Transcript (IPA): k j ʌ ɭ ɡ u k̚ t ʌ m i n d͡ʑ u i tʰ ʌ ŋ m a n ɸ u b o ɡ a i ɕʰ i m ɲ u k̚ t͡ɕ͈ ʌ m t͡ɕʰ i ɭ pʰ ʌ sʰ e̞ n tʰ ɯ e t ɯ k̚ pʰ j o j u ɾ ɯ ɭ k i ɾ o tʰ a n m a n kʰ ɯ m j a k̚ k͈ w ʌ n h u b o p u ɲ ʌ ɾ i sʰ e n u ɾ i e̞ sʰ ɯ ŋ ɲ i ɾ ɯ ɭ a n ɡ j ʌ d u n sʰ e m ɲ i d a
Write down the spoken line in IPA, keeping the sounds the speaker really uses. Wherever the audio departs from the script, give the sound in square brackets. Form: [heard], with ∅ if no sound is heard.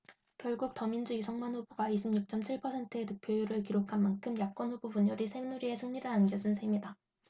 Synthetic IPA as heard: k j ʌ ɭ ɡ u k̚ t ʌ m i n d͡ʑ u i [sʰ] ʌ ŋ m a n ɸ u b o ɡ a i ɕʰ i m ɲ u k̚ t͡ɕ͈ ʌ m t͡ɕʰ i ɭ pʰ ʌ sʰ e̞ n tʰ ɯ e t ɯ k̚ pʰ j o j u ɾ ɯ ɭ k i ɾ o [kʰ] a n m a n kʰ ɯ m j a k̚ k͈ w ʌ n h u b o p u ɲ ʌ ɾ i sʰ e n u ɾ i e̞ sʰ ɯ ŋ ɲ i ɾ ɯ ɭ a n ɡ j ʌ [d͡ʑ] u n sʰ e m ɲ i d a